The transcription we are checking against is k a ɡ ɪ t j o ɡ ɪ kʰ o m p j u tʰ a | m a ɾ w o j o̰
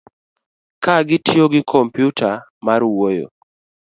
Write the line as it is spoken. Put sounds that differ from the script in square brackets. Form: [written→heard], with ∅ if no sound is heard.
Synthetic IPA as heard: k a ɡ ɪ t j o ɡ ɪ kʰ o m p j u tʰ a | m a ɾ w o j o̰